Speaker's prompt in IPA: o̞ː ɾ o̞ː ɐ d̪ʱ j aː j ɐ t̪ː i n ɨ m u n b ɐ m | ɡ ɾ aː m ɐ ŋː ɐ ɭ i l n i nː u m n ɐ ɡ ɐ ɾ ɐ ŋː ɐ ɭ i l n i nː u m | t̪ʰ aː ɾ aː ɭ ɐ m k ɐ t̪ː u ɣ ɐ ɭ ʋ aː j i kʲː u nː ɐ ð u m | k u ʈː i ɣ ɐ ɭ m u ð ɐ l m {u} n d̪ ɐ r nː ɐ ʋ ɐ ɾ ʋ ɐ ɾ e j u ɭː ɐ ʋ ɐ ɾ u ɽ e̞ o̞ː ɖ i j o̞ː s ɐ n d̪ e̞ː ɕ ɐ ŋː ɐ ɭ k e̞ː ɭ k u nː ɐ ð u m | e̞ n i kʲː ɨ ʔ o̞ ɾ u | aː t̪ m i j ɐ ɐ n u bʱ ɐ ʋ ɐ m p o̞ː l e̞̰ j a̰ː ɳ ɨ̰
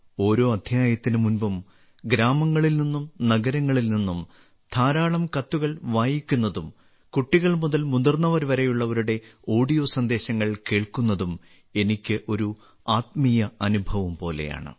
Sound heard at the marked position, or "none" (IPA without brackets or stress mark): u